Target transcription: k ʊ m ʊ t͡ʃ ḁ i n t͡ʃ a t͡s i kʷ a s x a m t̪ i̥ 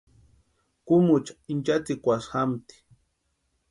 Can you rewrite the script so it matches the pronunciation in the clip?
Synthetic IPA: k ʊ m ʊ t͡ʃ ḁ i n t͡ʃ a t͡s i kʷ a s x a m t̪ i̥